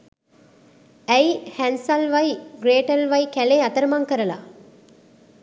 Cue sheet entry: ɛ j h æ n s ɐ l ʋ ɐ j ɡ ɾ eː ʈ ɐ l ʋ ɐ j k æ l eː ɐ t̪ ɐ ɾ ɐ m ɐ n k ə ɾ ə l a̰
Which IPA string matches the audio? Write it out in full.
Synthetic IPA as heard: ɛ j h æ n s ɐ l ʋ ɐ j ɡ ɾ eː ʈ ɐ l ʋ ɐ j k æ l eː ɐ t̪ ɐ ɾ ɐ m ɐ ŋ k ə ɾ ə l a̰